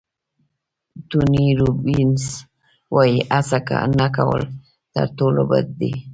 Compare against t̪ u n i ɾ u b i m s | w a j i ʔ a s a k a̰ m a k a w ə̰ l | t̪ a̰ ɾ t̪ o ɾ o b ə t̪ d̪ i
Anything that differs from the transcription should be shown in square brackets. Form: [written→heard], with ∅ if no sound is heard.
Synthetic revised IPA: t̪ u n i ɾ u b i [m→n] s | w a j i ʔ a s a k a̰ [m→n] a k a w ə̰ l | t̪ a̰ ɾ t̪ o [ɾ→l] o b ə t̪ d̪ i